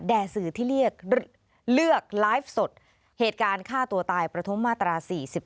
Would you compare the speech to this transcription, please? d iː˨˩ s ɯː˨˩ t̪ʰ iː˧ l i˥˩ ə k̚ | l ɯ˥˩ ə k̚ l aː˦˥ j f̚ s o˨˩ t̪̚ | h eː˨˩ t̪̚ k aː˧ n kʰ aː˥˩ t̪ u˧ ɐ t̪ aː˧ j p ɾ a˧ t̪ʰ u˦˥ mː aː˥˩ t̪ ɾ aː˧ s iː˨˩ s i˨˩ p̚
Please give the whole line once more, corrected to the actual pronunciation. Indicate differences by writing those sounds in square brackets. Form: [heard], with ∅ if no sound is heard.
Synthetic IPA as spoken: d [ɛː˨˩] s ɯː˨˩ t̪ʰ [iː˥˩] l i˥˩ ə k̚ | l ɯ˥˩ ə k̚ l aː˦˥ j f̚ s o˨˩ t̪̚ | h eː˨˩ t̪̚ k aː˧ n kʰ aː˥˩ t̪ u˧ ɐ t̪ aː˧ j p ɾ a˧ t̪ʰ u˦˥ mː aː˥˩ t̪ ɾ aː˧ s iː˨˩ s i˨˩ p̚